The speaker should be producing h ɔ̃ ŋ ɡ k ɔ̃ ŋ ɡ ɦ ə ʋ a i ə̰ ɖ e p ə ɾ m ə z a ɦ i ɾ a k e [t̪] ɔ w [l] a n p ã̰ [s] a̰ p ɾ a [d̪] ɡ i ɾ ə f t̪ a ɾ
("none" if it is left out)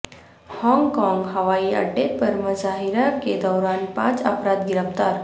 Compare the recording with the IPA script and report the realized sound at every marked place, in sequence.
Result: d̪, ɾ, t͡s, d̪

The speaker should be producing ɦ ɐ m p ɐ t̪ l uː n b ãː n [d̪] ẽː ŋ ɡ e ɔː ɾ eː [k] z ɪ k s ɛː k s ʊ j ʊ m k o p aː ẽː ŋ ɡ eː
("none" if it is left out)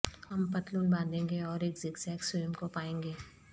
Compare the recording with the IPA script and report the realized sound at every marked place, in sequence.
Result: d̪, k

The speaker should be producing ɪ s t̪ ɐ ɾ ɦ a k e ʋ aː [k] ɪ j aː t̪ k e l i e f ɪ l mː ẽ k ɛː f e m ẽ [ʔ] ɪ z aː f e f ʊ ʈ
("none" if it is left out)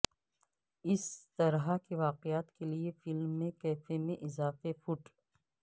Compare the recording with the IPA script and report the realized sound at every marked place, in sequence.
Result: q, ʔ

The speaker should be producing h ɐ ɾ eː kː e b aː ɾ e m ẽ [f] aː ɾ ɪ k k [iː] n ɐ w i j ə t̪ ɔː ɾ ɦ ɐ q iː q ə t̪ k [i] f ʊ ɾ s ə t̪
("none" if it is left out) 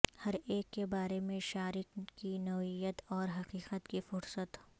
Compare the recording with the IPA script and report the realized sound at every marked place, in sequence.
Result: ʃ, i, i

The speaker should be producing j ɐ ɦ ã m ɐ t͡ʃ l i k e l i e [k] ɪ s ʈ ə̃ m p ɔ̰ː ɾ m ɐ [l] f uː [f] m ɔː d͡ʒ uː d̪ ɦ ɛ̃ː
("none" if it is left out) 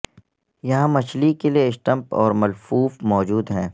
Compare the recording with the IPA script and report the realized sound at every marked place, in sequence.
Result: none, l, f

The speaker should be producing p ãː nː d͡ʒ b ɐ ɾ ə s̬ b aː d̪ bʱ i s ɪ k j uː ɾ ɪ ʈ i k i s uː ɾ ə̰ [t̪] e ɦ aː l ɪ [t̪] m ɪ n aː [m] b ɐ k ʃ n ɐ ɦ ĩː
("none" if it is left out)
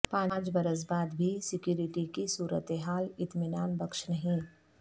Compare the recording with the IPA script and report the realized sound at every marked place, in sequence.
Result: t̪, t̪, n

